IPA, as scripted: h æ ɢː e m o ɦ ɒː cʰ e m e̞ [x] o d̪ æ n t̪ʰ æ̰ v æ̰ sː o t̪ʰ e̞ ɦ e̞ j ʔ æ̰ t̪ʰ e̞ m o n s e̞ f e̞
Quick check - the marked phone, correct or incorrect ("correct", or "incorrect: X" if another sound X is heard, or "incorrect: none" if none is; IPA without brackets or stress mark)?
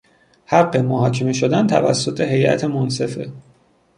incorrect: ʃ